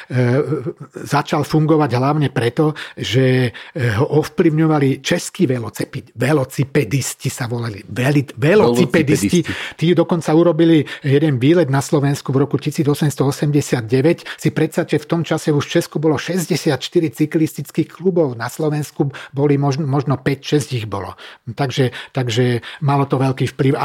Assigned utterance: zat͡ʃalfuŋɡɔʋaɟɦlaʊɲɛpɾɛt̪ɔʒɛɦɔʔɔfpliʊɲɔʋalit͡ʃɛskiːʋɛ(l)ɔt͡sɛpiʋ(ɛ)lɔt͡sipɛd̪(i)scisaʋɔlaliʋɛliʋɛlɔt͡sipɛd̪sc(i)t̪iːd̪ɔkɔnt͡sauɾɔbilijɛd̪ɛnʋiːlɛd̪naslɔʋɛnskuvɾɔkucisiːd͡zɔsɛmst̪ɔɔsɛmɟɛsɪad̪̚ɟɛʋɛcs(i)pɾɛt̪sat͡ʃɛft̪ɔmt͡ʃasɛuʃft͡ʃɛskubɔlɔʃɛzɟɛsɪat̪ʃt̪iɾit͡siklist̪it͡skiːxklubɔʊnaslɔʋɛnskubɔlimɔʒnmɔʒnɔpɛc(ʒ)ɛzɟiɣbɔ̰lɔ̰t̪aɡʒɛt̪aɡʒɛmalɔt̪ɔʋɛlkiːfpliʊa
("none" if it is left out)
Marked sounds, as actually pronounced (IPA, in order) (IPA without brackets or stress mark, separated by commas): l, ɛ, i, i, i, ʃ